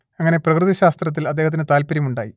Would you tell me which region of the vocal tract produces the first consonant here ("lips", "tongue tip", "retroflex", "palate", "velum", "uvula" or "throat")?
velum